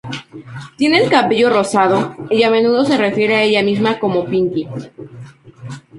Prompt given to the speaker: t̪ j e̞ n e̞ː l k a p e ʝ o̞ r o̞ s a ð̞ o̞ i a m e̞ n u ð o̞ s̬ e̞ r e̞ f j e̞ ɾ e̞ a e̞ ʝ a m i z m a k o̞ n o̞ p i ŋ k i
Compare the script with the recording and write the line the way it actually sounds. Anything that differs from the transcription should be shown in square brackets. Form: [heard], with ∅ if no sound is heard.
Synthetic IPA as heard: t̪ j e̞ n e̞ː l k a p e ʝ o̞ r o̞ s a ð̞ o̞ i a m e̞ n u ð o̞ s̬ e̞ r e̞ f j e̞ ɾ e̞ a e̞ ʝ a m i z m a k o̞ [m] o̞ p i ŋ k i